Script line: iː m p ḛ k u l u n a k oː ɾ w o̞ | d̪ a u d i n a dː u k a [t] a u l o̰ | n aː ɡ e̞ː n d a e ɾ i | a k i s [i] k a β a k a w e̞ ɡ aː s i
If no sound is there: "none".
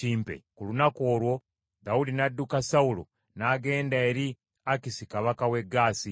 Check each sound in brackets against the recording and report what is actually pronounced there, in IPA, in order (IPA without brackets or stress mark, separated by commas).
s, i